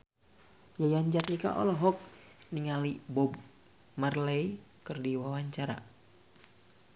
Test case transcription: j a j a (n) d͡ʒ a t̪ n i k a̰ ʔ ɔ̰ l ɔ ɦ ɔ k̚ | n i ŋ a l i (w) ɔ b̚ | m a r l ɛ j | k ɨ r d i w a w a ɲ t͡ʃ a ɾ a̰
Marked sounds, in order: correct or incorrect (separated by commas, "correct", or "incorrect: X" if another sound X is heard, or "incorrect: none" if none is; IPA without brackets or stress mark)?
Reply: incorrect: ɲ, incorrect: b